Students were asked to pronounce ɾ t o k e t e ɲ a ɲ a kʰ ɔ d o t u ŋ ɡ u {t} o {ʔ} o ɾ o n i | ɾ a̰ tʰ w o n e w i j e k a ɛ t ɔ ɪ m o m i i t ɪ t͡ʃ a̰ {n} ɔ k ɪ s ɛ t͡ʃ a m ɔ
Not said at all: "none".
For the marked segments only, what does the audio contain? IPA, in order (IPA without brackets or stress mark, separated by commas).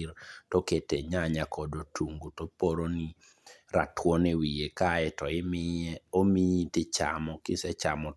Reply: t, p, m